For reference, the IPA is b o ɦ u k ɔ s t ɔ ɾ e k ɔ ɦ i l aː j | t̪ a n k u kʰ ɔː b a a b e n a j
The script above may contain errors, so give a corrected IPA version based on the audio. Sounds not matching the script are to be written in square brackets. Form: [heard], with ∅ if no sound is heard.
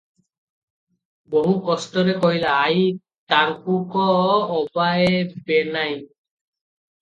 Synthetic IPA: b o ɦ u k ɔ s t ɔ ɾ e k ɔ ɦ i l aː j | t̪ a [ŋ] k u [k] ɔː b a [e] b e n a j